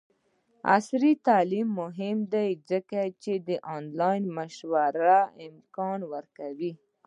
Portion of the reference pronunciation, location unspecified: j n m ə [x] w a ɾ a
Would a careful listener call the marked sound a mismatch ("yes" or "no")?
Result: yes